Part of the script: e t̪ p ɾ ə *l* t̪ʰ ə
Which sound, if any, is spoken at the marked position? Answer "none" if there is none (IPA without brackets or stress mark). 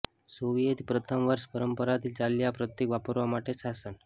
none